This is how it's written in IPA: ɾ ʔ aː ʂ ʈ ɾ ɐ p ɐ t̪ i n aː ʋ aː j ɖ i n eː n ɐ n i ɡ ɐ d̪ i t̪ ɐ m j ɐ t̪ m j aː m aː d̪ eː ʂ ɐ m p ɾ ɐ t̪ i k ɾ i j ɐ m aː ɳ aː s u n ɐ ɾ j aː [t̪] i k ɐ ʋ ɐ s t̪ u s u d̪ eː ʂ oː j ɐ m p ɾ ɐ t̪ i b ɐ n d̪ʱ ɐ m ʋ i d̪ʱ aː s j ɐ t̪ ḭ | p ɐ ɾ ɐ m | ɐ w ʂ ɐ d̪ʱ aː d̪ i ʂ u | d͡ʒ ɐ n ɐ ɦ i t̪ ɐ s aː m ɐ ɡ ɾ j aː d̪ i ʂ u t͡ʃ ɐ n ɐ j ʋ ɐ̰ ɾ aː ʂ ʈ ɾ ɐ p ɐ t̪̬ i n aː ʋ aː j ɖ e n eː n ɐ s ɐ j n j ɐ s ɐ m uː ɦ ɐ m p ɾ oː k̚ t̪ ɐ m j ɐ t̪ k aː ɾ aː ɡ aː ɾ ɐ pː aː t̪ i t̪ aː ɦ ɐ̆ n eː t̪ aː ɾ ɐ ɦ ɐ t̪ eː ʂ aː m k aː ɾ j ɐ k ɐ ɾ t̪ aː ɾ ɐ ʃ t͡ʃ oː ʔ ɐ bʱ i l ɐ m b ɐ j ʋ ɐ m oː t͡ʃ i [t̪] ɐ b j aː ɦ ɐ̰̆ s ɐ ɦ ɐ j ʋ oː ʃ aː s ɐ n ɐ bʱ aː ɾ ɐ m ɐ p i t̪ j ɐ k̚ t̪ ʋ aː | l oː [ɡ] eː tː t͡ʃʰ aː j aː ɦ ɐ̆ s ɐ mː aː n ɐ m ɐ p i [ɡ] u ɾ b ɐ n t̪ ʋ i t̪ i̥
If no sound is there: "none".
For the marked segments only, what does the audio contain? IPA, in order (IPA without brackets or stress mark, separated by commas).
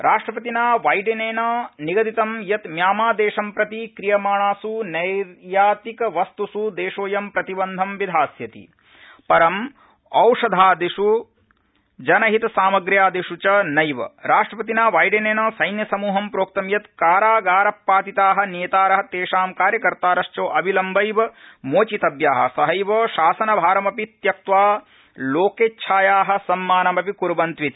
t̪, t̪, k, k